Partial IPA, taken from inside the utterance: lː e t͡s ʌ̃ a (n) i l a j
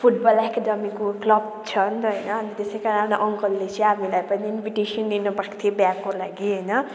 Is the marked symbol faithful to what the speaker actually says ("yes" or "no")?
no